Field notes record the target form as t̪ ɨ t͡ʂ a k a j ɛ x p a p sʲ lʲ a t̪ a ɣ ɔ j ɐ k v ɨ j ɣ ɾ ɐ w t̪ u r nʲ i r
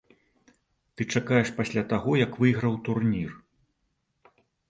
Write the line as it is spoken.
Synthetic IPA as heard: t̪ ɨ t͡ʂ a k a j ɛ ʂ p a sʲ lʲ a t̪ a ɣ ɔ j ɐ k v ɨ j ɣ ɾ ɐ w t̪ u r nʲ i r